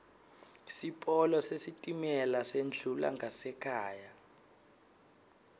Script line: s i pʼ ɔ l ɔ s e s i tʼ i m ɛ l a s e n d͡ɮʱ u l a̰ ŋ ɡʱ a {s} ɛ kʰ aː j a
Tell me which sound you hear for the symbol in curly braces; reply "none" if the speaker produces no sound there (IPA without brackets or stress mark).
s